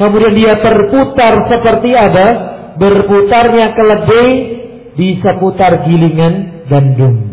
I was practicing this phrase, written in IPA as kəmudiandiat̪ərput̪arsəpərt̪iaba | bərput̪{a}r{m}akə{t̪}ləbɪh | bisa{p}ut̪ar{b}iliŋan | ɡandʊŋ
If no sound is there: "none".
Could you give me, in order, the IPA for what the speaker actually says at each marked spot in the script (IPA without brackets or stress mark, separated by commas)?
a, ɲ, none, p, ɡ